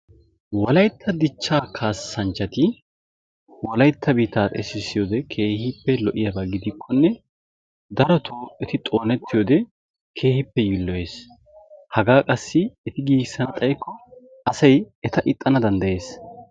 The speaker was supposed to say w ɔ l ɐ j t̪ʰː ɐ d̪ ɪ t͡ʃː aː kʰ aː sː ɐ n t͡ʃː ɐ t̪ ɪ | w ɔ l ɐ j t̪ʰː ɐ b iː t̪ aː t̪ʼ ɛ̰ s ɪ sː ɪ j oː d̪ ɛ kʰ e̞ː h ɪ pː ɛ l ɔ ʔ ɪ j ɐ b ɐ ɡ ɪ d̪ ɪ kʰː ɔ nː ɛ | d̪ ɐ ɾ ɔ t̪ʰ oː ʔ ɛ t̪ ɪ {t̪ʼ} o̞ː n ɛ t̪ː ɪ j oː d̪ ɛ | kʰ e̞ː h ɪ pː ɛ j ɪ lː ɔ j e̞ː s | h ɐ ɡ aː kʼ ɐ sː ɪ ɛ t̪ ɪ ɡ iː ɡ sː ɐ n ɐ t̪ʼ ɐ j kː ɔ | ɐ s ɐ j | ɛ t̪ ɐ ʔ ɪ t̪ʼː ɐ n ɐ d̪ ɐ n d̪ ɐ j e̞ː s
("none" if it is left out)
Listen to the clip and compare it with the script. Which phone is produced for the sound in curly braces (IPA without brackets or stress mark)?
t̪ʼ